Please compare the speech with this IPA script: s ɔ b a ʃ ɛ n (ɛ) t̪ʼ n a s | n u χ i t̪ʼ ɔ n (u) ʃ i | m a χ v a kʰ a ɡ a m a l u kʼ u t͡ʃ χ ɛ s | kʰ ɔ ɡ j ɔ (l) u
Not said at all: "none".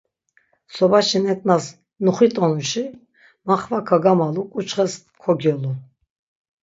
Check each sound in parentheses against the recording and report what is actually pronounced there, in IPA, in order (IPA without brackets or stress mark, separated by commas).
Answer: ɛ, u, l